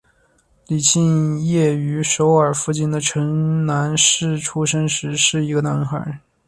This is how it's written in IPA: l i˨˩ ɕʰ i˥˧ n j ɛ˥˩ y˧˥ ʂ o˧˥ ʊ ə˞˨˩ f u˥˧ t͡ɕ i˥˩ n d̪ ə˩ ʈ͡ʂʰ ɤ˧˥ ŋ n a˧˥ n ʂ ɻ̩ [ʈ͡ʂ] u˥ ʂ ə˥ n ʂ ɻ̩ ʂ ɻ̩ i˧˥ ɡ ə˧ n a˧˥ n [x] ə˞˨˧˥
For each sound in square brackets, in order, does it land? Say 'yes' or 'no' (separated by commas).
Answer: no, yes